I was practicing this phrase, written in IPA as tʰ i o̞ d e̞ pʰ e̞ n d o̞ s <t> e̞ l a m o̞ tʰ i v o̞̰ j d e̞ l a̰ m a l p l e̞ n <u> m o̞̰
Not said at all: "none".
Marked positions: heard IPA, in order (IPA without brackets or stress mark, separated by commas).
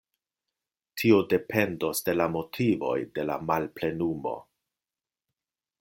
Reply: d, u